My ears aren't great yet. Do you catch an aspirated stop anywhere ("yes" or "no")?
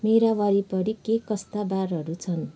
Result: yes